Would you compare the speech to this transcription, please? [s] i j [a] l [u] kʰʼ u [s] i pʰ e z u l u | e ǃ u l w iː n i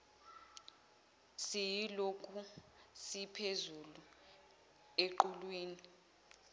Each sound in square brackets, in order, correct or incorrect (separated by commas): correct, incorrect, incorrect, correct